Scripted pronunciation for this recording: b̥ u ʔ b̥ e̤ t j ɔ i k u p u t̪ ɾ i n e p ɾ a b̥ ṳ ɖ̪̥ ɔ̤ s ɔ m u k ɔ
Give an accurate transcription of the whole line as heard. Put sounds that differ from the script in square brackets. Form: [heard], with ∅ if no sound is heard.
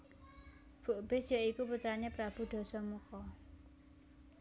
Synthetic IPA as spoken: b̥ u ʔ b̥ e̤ [s] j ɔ i k u p u t̪ ɾ [a] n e p ɾ a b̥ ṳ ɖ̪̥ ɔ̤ s ɔ m u k ɔ